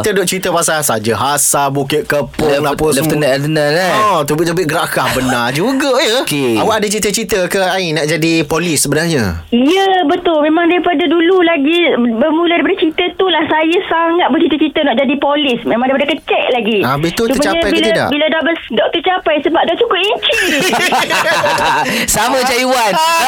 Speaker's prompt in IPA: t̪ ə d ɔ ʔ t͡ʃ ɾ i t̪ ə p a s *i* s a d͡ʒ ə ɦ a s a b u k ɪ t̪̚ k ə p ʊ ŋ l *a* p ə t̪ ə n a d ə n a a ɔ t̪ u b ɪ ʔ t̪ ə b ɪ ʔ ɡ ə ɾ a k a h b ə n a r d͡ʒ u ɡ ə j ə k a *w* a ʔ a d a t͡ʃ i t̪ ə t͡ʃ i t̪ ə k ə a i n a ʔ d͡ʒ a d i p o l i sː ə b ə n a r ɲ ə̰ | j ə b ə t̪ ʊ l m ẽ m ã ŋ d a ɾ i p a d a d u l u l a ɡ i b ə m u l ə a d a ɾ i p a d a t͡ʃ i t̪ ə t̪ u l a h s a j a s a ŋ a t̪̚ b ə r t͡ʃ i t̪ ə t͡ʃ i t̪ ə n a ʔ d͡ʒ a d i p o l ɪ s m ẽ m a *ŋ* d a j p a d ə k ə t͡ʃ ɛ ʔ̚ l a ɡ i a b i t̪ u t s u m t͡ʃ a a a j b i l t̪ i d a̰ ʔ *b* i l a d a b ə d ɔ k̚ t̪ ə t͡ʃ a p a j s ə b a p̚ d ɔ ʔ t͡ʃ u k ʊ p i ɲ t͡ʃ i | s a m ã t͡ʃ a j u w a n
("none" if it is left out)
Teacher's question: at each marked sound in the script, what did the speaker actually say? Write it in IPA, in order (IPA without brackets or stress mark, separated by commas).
a, a, w, ŋ, b